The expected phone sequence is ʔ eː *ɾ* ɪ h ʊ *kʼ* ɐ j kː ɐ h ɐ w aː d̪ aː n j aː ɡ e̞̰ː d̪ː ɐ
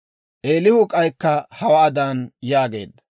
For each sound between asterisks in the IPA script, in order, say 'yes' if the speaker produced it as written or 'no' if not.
no, yes

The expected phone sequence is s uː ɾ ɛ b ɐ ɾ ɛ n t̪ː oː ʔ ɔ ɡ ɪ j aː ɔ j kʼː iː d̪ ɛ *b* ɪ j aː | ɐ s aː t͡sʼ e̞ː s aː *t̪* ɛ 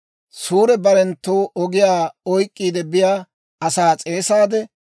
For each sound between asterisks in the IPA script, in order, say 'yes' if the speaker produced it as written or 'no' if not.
yes, no

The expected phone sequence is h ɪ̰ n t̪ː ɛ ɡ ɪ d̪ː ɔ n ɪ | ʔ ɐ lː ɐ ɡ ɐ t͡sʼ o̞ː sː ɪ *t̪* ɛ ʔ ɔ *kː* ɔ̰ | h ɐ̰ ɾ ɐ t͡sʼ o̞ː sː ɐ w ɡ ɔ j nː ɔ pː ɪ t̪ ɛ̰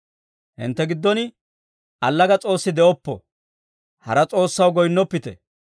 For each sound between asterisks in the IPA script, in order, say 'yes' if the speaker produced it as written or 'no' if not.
no, no

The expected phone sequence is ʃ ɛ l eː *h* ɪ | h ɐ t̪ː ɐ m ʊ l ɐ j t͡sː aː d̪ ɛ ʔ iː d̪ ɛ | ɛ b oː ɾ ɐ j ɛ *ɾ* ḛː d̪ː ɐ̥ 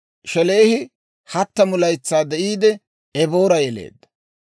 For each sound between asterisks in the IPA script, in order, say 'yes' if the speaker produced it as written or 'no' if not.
yes, no

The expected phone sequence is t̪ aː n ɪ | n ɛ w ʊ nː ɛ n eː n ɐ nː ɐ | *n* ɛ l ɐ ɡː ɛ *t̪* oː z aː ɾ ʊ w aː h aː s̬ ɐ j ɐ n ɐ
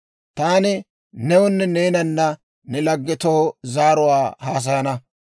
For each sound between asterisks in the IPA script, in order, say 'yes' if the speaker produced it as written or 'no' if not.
yes, yes

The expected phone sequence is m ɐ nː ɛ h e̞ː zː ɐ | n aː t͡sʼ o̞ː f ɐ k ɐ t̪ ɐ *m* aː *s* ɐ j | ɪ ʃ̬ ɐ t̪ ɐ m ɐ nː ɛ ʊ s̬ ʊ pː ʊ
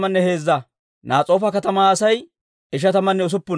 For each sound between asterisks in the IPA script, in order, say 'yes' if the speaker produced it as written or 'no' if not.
yes, yes

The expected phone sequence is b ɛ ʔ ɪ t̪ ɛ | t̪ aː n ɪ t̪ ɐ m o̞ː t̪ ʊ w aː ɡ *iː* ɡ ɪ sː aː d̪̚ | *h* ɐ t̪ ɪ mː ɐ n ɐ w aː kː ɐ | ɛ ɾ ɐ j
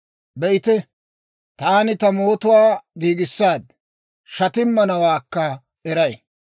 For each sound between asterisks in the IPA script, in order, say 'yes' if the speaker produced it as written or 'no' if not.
yes, no

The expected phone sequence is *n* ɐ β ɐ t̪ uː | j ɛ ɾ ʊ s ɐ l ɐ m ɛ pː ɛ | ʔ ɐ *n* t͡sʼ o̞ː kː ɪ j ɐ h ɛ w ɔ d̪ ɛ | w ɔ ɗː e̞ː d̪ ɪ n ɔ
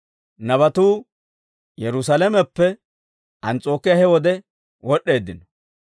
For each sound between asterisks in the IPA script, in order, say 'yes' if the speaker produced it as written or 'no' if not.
yes, yes

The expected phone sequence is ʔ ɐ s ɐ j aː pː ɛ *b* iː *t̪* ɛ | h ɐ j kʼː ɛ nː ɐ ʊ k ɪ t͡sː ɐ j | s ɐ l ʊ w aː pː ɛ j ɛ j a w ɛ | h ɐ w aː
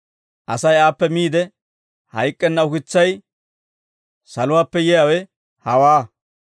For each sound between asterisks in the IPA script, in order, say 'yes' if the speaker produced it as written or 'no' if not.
no, no

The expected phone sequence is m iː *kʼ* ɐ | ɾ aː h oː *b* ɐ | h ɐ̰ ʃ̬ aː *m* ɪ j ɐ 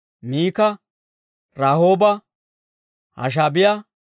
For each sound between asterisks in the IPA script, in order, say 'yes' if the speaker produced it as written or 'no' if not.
no, yes, no

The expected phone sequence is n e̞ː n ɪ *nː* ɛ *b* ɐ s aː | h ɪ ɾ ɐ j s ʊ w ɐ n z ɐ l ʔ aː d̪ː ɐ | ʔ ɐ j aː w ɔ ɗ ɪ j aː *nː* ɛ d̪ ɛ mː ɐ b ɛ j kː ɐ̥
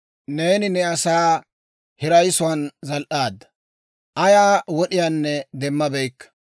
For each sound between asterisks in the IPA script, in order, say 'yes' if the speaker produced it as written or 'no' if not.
no, no, yes

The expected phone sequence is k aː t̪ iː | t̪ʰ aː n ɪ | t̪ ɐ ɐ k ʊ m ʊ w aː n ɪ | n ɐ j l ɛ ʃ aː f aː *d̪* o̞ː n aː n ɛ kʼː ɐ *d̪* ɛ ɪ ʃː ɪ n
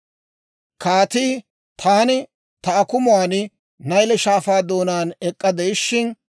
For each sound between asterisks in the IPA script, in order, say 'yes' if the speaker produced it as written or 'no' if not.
yes, yes

